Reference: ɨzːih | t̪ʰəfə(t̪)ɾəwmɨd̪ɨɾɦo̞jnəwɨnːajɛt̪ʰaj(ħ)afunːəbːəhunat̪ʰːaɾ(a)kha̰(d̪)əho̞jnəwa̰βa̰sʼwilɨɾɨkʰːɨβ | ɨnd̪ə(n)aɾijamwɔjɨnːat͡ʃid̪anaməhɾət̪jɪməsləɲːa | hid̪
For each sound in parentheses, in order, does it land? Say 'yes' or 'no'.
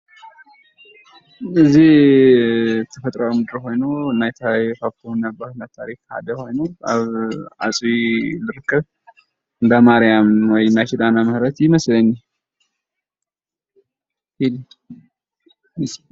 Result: no, no, no, yes, no

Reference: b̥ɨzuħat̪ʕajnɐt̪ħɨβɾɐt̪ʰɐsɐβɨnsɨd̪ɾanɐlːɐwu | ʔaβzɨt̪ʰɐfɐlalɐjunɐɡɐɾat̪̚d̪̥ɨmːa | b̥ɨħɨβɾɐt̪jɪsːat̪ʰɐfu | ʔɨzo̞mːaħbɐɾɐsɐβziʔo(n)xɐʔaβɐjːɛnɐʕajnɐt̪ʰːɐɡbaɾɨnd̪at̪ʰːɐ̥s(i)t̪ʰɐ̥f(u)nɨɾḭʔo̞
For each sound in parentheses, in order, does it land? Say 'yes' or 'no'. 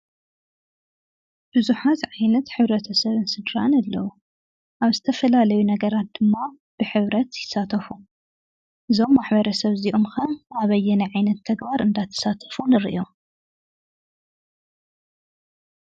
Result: no, no, yes

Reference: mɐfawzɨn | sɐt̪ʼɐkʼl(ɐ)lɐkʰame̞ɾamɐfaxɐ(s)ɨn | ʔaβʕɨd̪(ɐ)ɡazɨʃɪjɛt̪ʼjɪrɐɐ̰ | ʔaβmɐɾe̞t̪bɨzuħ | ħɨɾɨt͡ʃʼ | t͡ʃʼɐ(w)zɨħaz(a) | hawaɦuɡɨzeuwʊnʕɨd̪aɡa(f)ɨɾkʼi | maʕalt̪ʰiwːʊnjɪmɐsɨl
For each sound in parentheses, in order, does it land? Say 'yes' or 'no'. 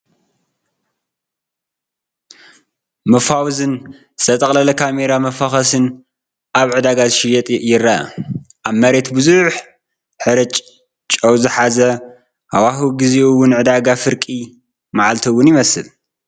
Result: yes, yes, no, yes, no, yes

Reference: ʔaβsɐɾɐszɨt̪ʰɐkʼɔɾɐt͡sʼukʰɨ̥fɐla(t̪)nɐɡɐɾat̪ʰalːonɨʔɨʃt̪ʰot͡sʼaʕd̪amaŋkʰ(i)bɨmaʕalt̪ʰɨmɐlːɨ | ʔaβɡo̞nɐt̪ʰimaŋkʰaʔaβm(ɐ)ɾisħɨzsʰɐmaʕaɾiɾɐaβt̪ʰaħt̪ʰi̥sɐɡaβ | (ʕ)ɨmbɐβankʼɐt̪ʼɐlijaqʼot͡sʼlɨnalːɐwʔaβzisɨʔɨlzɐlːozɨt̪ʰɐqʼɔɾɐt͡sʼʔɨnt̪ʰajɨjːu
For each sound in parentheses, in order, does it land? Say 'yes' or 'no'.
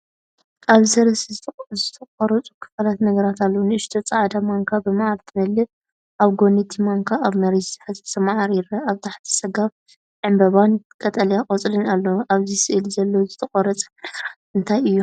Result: yes, no, yes, yes

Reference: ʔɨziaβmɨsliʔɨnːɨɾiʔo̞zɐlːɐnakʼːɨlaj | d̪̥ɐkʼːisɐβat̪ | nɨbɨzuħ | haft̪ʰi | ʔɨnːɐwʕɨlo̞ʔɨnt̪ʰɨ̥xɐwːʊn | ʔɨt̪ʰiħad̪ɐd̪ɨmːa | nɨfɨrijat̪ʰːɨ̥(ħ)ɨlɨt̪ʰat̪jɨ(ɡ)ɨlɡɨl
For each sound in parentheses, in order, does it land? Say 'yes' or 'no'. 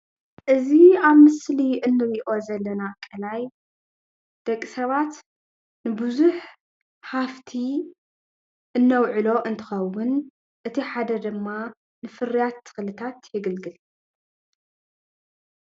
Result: no, yes

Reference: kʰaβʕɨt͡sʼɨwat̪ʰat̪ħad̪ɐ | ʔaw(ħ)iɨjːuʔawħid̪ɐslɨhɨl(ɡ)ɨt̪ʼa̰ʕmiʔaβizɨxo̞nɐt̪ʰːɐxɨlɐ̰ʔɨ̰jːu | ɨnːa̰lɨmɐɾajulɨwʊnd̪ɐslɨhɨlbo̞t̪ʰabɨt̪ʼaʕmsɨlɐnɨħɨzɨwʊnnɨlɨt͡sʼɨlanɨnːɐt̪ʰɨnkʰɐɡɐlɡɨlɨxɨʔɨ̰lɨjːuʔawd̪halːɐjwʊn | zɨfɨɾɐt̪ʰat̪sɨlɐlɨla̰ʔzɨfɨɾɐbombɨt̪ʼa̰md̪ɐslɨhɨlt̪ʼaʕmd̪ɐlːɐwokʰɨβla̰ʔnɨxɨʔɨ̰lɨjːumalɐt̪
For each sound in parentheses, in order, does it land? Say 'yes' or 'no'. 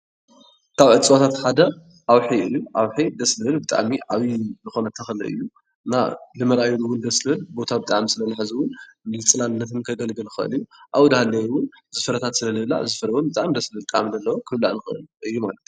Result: yes, no

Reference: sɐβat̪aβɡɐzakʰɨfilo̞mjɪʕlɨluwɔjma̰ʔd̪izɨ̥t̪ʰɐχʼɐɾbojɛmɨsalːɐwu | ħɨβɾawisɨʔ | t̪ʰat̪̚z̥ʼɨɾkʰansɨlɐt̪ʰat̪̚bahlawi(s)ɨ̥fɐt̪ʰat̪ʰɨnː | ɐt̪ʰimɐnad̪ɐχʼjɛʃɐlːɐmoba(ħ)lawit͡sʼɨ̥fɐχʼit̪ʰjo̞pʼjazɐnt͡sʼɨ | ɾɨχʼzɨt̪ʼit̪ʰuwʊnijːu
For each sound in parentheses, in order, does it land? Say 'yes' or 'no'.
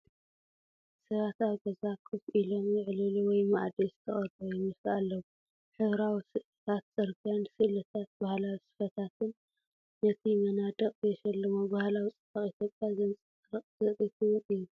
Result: yes, no

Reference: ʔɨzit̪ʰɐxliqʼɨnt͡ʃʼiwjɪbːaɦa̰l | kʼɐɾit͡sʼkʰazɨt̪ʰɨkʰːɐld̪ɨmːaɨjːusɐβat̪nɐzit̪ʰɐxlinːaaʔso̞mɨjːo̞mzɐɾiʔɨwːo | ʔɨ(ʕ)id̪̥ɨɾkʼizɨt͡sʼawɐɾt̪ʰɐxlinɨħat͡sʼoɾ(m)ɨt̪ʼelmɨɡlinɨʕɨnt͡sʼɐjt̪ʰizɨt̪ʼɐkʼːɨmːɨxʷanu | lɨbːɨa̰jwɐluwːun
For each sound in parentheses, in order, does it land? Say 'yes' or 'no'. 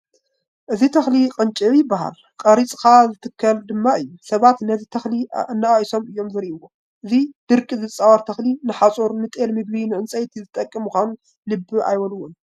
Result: no, no

